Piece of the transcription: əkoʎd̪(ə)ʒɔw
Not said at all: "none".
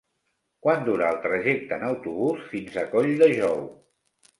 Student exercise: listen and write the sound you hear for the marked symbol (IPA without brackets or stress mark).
ə